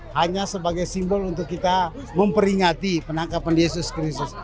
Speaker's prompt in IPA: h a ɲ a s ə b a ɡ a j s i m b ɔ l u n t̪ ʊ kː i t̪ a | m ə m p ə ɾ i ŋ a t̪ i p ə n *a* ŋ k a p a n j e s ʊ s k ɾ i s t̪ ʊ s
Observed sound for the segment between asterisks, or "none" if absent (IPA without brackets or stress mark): a